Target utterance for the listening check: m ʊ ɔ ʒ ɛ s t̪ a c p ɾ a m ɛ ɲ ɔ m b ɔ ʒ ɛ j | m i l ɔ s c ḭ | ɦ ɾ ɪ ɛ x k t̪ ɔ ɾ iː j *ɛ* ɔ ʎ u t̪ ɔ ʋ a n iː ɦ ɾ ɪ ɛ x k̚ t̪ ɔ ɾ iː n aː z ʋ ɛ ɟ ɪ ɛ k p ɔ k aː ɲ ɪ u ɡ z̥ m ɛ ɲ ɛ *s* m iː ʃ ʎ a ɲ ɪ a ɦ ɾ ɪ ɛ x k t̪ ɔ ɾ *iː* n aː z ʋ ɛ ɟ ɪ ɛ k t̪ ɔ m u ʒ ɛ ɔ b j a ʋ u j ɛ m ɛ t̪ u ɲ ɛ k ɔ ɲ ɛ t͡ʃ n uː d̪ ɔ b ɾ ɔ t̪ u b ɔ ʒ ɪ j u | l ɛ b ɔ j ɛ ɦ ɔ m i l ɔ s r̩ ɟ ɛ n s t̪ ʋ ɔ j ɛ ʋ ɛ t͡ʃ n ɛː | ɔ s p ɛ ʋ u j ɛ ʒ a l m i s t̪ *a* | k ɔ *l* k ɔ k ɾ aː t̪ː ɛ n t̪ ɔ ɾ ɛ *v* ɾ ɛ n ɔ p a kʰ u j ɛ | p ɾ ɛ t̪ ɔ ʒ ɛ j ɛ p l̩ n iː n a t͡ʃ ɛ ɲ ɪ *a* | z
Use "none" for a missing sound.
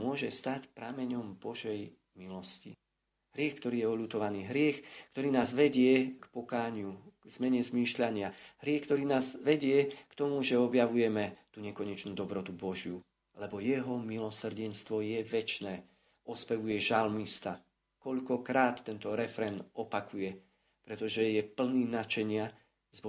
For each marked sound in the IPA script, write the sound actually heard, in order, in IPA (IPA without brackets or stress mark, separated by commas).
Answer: ɛ, z, iː, a, ʎ, f, a